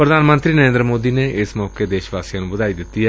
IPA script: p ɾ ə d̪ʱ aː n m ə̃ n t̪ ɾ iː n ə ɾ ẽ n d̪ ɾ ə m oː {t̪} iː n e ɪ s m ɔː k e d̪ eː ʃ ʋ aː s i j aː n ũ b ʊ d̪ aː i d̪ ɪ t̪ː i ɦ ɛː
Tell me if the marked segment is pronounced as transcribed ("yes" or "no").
no